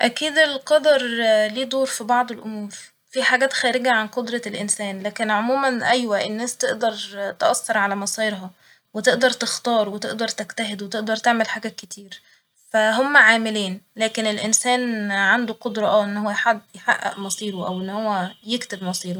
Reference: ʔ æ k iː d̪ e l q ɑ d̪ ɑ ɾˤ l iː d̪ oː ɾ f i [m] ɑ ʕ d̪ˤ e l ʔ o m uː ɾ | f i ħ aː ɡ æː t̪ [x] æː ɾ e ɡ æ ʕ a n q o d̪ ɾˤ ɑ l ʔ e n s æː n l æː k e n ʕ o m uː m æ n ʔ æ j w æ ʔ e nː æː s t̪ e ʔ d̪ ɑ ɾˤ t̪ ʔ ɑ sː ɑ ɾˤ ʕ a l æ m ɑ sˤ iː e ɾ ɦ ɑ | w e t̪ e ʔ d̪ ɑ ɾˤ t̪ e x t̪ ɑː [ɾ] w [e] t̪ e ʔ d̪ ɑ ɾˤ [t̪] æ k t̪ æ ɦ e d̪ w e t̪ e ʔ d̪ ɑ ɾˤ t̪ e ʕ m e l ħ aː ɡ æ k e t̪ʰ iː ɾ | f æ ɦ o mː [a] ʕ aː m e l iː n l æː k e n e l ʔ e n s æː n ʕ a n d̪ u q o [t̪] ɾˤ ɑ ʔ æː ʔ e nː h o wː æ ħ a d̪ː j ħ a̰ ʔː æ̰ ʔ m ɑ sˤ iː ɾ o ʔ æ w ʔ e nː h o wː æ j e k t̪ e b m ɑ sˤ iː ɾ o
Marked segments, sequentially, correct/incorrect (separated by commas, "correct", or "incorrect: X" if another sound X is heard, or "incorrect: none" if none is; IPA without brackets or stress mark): incorrect: b, correct, correct, correct, correct, incorrect: æ, incorrect: d̪